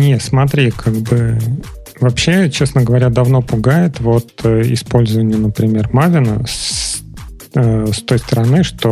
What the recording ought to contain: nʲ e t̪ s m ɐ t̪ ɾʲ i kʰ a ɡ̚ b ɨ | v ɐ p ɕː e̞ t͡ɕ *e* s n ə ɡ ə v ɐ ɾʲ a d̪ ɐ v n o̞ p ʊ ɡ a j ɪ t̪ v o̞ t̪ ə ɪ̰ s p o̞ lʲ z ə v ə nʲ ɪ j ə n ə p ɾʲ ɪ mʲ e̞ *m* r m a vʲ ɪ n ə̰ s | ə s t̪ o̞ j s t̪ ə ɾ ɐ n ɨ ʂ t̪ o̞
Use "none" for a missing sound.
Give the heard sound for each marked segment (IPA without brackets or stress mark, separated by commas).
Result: e, none